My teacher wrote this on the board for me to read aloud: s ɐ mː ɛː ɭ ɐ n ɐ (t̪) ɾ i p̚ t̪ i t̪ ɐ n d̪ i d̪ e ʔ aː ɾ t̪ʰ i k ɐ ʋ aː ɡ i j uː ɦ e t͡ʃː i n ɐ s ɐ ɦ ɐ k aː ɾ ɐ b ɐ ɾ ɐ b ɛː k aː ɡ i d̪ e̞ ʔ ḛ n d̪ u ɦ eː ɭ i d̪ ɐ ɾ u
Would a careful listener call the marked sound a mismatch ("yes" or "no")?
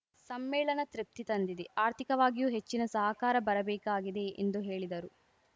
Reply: no